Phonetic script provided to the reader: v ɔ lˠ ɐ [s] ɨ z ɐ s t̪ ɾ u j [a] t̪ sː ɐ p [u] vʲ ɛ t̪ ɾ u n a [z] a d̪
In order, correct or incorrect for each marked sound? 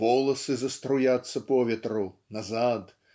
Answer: correct, correct, incorrect: ɔ, correct

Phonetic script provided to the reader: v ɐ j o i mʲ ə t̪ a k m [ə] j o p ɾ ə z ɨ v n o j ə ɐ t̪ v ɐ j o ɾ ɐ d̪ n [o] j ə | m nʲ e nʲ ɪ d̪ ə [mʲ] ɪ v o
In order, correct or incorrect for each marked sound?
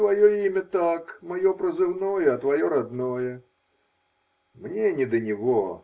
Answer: incorrect: ɐ, correct, incorrect: nʲ

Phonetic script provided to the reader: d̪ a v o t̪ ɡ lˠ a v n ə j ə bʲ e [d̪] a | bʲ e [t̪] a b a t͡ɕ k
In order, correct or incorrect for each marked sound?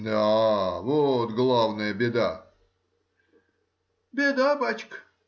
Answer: correct, incorrect: d̪

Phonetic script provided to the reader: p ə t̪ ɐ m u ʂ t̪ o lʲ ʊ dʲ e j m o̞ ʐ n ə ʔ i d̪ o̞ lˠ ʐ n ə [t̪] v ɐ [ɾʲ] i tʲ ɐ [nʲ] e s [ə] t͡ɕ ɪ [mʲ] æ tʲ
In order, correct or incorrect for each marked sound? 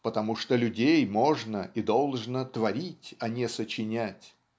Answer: correct, correct, correct, correct, incorrect: nʲ

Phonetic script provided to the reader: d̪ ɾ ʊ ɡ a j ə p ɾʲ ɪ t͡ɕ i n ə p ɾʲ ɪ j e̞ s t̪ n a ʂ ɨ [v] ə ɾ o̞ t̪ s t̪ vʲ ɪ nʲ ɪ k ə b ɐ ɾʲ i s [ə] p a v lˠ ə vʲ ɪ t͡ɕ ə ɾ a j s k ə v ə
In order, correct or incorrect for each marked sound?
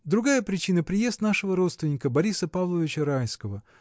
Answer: correct, correct

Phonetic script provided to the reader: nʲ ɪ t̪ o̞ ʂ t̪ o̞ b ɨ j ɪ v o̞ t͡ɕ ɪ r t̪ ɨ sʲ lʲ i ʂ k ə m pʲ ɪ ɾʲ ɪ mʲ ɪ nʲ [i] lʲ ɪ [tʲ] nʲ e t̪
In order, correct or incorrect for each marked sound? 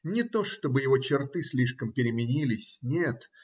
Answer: correct, incorrect: sʲ

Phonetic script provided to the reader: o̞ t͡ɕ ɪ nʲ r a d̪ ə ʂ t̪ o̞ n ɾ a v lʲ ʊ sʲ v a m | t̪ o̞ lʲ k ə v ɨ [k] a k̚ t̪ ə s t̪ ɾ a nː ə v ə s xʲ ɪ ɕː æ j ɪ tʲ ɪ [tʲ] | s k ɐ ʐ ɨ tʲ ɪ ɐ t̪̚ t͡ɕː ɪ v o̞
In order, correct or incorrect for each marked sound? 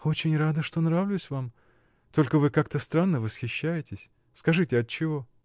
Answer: correct, incorrect: sʲ

